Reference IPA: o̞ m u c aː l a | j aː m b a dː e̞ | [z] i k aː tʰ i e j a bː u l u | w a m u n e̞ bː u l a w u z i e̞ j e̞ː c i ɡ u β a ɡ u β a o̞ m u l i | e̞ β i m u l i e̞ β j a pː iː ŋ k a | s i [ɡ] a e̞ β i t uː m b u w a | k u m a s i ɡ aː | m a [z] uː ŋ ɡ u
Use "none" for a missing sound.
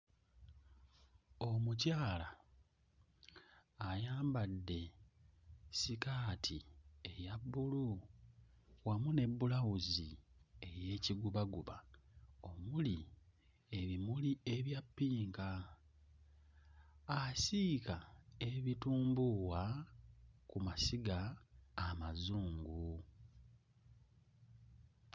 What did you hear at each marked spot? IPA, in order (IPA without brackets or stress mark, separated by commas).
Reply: s, k, z